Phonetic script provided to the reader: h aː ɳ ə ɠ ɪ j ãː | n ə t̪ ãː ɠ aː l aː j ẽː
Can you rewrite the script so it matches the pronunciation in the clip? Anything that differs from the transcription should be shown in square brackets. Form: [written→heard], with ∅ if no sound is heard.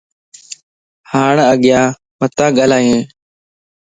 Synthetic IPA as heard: h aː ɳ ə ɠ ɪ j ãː | [n→m] ə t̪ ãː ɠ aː l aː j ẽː